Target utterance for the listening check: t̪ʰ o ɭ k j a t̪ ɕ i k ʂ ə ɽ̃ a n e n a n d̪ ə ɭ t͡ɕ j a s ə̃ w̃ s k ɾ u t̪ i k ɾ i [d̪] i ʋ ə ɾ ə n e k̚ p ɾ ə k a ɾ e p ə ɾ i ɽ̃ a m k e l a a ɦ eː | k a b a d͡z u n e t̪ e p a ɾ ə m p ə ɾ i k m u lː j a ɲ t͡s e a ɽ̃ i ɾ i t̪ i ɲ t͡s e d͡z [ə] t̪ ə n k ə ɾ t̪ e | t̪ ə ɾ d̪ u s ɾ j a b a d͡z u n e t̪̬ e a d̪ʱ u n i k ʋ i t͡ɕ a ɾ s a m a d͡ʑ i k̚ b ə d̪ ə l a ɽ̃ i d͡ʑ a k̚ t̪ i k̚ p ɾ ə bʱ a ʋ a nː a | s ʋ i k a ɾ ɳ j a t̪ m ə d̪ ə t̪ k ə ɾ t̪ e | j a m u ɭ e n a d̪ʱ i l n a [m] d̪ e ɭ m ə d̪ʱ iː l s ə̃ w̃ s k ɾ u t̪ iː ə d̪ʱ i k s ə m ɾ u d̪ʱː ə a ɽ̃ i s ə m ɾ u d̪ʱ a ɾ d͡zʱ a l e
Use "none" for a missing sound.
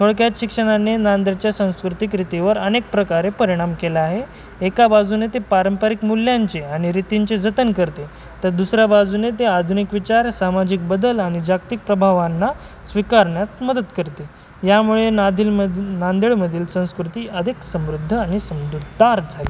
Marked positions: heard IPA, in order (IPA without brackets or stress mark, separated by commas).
t̪, ə, n